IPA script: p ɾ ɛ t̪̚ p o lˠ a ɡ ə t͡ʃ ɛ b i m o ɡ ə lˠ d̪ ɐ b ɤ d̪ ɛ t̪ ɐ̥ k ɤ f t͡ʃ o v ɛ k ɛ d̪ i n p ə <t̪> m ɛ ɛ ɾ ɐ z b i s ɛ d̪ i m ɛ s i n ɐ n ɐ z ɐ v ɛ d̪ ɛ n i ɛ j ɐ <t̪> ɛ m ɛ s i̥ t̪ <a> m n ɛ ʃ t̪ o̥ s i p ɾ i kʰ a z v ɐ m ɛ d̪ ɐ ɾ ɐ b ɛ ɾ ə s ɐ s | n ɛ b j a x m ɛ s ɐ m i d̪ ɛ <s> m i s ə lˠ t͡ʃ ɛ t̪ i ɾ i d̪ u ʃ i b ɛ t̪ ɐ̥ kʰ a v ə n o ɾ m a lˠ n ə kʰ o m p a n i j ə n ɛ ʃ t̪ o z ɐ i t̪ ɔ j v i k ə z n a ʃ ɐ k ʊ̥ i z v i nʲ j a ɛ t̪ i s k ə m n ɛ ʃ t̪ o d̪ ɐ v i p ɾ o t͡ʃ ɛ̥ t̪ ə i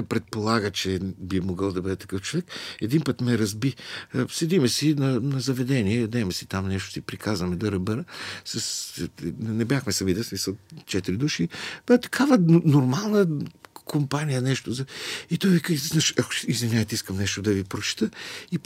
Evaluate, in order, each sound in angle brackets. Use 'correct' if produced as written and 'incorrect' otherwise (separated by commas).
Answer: correct, incorrect, correct, correct